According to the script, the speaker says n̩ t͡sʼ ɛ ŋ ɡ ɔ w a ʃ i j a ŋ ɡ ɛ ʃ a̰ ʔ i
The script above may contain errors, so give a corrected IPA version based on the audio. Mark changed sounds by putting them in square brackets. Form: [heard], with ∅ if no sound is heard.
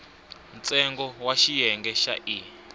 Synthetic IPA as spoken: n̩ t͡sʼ ɛ ŋ ɡ ɔ w a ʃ i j [ɛ] ŋ ɡ ɛ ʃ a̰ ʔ i